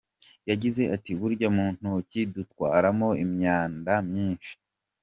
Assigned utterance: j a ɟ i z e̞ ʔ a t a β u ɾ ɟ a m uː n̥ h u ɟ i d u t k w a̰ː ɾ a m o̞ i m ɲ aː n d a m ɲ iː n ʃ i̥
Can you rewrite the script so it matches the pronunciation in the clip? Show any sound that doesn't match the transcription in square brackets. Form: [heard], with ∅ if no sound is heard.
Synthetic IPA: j a ɟ i z e̞ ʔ a t [i] β u ɾ ɟ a m uː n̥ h u [c] i d u t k w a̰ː ɾ a m o̞ i m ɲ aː n d a m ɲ iː n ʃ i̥